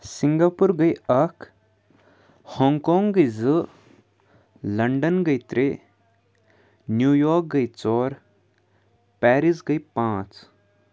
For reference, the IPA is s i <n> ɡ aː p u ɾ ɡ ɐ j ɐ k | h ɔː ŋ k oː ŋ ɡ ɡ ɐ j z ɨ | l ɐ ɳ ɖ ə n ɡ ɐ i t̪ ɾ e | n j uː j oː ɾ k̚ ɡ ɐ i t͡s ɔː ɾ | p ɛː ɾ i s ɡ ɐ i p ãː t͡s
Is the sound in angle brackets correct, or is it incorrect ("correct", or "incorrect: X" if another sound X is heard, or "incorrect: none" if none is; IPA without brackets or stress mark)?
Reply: incorrect: ŋ